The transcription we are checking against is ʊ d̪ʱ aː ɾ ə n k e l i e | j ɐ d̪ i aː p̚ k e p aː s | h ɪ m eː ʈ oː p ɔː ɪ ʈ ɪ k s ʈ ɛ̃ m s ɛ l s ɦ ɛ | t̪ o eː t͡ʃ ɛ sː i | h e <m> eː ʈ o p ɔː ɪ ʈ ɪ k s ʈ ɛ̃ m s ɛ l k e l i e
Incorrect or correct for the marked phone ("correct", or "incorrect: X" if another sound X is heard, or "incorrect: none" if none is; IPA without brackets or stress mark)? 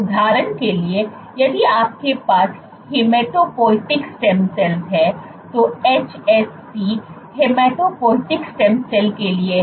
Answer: correct